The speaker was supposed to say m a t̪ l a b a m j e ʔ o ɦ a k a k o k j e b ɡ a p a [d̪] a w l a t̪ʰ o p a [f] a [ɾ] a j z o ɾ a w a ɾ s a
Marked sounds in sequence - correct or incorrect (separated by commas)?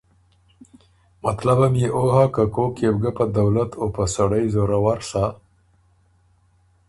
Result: correct, incorrect, incorrect